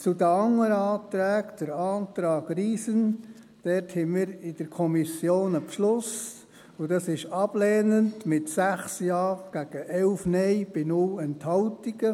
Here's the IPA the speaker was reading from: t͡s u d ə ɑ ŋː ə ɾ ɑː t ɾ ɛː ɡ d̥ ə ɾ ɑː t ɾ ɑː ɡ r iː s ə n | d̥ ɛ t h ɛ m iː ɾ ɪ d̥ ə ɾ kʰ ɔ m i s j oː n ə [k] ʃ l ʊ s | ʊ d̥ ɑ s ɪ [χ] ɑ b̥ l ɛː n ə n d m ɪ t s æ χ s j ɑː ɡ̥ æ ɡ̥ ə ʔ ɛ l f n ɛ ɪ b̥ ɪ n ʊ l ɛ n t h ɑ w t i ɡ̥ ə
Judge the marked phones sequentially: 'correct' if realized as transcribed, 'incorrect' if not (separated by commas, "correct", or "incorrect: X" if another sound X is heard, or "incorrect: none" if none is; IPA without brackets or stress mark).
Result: incorrect: p, incorrect: ʃ